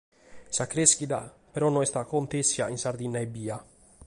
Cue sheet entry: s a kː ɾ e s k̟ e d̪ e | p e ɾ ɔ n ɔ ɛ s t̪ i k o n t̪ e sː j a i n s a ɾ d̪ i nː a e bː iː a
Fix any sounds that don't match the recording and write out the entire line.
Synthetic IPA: s a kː ɾ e s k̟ i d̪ a | p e ɾ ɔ n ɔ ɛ s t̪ a k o n t̪ e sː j a i n s a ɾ d̪ i nː a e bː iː a